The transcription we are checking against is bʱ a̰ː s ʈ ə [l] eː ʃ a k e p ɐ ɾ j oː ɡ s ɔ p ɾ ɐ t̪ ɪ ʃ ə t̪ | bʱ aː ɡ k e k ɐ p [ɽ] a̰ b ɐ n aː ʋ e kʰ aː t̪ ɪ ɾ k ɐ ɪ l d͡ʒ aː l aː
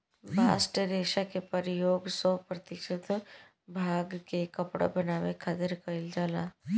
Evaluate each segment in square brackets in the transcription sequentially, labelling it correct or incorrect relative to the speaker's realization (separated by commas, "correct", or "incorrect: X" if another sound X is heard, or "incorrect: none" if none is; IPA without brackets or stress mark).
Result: incorrect: ɾ, correct